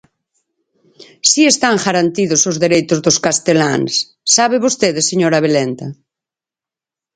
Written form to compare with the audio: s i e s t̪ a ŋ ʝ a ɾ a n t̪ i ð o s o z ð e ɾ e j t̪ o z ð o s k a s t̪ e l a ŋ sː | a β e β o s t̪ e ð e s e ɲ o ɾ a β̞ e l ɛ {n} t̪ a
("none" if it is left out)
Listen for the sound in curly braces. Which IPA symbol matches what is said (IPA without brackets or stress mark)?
n